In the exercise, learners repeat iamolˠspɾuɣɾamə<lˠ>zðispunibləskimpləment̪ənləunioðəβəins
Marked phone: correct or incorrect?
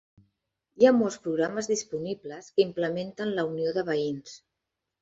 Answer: incorrect